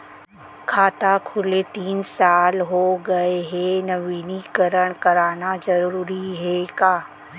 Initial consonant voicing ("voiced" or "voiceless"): voiceless